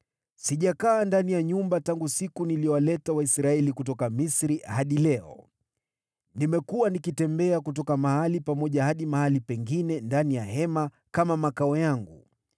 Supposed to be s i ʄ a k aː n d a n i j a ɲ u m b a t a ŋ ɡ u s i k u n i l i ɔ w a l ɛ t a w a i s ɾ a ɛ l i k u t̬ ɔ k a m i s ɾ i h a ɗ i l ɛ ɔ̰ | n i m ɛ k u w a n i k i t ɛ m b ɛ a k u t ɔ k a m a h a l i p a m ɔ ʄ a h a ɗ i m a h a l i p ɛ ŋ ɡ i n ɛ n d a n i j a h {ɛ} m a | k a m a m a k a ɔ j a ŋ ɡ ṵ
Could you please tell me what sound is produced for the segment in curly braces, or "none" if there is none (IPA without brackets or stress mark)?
ɛ